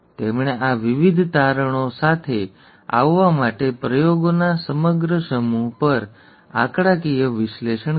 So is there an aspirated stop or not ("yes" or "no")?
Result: yes